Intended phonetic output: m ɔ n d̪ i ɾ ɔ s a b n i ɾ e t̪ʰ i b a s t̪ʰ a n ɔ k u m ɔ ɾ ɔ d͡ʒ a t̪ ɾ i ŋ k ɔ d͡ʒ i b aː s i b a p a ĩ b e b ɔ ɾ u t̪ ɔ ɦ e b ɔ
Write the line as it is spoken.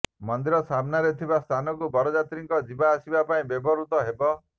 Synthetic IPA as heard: m ɔ n d̪ i ɾ ɔ s a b n a ɾ e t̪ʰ i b a s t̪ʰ a n ɔ k u b ɔ ɾ ɔ d͡ʒ a t̪ ɾ i ŋ k ɔ d͡ʒ i b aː s i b a p a ĩ b e b ɔ ɾ u t̪ ɔ ɦ e b ɔ